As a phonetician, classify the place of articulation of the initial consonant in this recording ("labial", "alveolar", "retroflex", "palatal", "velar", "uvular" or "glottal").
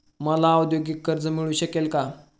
labial